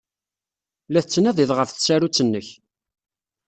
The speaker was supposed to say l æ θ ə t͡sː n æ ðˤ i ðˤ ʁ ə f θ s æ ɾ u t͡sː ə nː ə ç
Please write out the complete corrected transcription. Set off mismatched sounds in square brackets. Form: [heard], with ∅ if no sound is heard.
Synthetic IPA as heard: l æ θ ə t͡sː n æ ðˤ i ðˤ ʁ ə f θ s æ ɾ u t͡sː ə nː ə ç